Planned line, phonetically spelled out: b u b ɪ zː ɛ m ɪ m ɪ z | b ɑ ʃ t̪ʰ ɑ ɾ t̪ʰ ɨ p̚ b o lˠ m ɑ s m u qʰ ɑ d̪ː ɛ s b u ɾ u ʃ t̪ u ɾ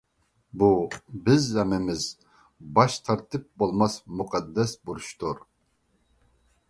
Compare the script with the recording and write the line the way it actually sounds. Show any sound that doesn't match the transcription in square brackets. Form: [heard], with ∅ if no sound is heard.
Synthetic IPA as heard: b u b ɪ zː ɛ m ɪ m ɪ z | b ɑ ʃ t̪ʰ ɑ ɾ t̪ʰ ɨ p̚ b o lˠ m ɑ s m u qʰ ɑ d̪ː ɛ s b u ɾ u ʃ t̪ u ɾ